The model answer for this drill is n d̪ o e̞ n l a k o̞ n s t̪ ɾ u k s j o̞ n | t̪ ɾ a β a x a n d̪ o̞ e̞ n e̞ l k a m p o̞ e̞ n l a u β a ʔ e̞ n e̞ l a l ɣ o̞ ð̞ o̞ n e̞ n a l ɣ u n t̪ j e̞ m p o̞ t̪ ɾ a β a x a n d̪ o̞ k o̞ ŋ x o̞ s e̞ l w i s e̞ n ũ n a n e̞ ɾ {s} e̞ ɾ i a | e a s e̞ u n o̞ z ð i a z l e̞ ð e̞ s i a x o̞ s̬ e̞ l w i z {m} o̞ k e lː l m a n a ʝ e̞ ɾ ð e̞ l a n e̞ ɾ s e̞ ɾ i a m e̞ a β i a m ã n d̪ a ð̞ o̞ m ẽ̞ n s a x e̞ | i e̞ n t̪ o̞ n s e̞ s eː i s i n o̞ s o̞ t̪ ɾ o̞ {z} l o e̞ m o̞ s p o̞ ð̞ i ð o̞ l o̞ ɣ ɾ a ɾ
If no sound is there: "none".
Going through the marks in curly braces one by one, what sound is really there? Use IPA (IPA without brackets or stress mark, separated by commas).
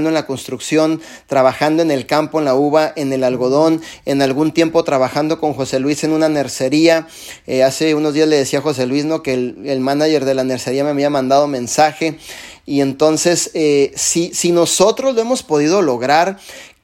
s, n, z